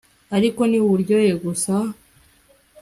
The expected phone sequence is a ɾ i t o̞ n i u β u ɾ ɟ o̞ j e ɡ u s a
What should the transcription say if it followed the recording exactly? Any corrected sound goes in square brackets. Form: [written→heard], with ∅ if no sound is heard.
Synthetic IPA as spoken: a ɾ i [t→k] o̞ n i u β u ɾ ɟ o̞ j e ɡ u s a